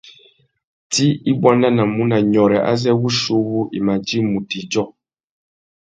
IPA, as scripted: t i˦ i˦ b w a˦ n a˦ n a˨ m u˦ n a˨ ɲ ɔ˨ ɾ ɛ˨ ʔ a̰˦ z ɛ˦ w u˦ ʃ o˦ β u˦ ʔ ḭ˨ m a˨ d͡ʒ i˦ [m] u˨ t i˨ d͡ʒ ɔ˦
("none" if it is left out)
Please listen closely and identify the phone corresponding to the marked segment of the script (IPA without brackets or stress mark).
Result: m